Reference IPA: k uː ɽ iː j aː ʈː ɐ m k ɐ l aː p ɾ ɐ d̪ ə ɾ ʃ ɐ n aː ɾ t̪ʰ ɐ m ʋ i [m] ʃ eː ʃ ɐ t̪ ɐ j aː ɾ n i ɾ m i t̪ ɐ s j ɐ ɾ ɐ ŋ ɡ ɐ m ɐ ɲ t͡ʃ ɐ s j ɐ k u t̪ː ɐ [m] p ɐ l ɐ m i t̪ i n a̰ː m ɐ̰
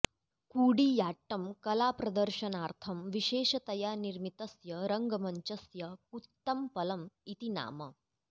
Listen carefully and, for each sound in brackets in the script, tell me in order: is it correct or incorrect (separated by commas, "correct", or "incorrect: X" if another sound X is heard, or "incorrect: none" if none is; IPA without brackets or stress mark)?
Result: incorrect: none, correct